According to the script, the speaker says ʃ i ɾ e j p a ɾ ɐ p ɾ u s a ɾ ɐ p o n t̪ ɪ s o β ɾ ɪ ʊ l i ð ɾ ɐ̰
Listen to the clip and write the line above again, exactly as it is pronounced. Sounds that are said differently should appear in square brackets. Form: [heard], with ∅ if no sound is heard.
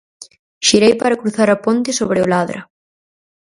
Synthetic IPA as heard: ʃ i ɾ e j p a ɾ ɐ [k] ɾ u [θ] a ɾ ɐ p o n t̪ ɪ s o β ɾ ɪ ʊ l [a] ð ɾ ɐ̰